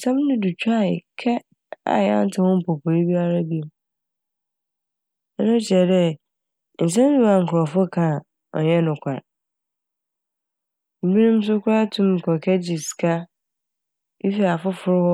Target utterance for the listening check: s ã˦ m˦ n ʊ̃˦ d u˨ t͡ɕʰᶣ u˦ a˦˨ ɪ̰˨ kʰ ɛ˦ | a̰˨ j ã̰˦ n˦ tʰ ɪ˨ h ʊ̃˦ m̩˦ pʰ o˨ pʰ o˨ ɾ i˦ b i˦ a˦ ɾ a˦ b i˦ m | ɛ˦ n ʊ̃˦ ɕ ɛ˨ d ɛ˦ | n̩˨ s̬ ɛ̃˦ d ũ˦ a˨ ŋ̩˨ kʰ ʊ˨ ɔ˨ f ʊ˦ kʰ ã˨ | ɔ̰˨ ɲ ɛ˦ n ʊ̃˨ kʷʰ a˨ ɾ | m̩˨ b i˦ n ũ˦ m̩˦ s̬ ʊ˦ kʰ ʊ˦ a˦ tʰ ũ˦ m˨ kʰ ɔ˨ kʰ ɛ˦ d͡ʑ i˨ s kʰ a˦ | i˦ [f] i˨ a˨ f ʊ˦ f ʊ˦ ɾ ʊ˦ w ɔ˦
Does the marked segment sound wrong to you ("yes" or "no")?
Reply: no